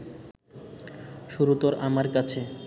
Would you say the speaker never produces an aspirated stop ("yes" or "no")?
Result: no